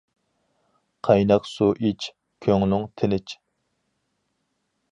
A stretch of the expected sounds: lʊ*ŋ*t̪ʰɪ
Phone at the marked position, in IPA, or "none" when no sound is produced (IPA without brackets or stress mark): ŋ